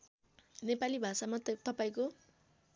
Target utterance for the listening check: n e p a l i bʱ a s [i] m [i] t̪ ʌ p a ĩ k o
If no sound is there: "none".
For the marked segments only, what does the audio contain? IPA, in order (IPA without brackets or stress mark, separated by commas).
a, a